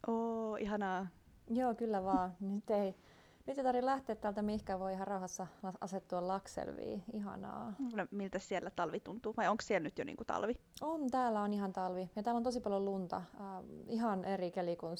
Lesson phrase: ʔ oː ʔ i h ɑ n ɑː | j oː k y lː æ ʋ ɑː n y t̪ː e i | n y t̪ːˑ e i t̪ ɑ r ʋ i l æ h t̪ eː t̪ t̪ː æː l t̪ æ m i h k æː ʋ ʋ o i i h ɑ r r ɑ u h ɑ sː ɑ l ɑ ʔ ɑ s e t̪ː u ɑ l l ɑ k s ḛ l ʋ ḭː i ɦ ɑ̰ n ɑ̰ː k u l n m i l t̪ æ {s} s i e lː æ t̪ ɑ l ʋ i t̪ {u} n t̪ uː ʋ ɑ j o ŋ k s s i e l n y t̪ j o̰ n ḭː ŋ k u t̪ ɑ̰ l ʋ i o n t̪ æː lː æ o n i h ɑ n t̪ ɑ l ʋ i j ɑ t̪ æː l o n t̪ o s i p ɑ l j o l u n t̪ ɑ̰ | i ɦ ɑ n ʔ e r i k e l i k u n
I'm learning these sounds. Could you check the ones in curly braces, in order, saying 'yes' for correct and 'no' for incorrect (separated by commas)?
yes, yes